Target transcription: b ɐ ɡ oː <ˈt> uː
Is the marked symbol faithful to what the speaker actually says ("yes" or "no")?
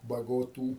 yes